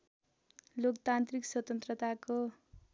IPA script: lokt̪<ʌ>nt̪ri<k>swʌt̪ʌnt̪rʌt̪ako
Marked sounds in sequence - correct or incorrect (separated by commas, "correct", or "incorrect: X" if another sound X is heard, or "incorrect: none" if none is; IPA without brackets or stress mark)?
incorrect: a, correct